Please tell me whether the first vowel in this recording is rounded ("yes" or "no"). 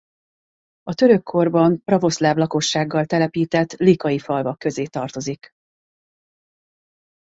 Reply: yes